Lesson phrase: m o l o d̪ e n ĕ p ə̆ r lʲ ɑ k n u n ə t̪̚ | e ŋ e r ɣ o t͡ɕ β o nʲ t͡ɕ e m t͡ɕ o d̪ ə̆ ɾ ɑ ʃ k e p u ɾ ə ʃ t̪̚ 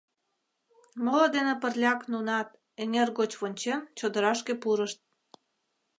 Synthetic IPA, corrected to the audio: m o l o d̪ e n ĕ p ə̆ r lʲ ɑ k n u n ɑ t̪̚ | e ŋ e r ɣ o t͡ɕ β o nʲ t͡ɕ e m t͡ɕ o d̪ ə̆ ɾ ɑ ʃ k e p u ɾ ə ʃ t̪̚